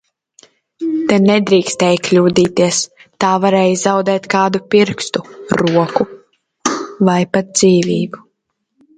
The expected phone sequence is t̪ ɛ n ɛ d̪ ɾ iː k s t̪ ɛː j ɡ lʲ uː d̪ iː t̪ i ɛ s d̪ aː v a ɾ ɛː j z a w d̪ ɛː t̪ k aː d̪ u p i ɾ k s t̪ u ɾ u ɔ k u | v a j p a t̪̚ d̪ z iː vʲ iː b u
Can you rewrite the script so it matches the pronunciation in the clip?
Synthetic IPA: t̪ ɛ n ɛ d̪ ɾ iː k s t̪ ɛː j k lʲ uː d̪ iː t̪ i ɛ s t̪ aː v a ɾ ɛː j z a w d̪ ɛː t̪ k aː d̪ u p i ɾ k s t̪ u ɾ u ɔ k u | v a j p a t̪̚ d̪ z iː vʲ iː b u